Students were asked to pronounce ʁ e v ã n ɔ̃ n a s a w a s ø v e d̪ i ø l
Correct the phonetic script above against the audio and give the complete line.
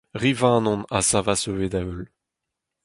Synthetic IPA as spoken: ʁ i v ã n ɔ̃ n a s a v a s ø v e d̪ a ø l